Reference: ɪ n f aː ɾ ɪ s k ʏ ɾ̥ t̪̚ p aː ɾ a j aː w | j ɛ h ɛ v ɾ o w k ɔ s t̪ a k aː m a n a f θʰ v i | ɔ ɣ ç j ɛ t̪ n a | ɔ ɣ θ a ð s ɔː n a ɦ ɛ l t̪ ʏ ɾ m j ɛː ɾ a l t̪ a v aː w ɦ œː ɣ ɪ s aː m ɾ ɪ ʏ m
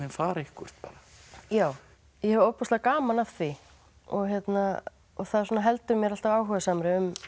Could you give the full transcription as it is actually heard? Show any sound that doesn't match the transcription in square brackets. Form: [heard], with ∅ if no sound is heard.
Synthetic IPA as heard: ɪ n f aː ɾ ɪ [h] k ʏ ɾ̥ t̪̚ p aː ɾ a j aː w | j ɛ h ɛ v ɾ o w [p] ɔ s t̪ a k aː m a n a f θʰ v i | ɔ ɣ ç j ɛ t̪ n a | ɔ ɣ θ a ð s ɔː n a ɦ ɛ l t̪ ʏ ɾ m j [ɛ] ɾ a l t̪ a v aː w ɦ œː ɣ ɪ s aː m ɾ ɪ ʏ m